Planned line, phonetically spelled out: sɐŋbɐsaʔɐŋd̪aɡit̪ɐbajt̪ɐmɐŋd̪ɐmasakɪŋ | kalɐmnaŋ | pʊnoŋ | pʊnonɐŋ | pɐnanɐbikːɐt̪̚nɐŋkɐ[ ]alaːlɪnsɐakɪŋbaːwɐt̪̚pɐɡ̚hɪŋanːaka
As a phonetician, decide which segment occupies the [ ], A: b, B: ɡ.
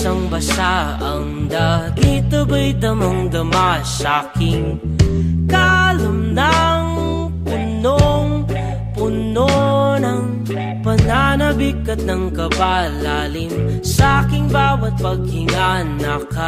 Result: A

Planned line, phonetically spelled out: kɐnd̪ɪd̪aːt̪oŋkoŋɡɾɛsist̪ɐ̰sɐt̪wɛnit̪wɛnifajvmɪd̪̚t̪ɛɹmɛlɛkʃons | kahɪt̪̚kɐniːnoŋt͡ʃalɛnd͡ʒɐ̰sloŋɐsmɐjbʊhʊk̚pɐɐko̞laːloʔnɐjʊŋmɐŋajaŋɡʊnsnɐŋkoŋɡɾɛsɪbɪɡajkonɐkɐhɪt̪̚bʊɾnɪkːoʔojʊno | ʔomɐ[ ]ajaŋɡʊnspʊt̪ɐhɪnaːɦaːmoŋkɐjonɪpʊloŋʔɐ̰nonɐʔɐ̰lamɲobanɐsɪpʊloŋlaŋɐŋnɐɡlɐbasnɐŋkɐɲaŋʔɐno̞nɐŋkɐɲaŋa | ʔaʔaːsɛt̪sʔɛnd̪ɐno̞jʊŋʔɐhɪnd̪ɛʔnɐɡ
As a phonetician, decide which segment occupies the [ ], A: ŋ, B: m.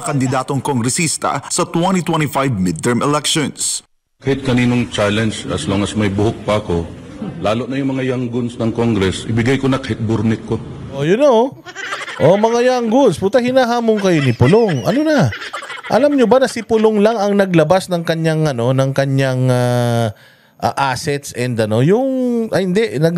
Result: A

